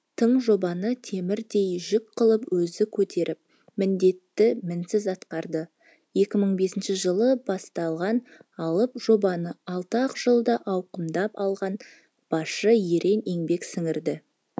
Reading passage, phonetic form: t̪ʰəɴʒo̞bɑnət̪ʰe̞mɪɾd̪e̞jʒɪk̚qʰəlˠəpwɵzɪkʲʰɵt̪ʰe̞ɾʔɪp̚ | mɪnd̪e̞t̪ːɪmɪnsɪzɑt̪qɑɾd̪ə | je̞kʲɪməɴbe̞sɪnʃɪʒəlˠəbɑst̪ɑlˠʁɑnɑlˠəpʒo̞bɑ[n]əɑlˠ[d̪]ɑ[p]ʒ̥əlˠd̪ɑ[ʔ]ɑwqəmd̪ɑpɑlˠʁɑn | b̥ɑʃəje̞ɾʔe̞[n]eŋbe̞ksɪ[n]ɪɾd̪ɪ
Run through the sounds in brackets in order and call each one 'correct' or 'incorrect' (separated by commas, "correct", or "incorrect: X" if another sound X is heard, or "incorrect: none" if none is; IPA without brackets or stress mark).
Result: correct, incorrect: t̪, incorrect: q, correct, correct, incorrect: ŋ